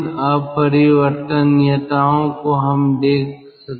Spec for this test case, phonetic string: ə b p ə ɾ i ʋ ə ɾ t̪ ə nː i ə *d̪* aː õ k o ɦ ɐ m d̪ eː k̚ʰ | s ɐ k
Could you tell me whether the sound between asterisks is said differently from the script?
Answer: yes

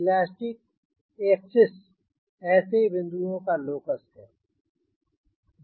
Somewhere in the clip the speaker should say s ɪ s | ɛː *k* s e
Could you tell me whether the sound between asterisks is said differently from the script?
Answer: yes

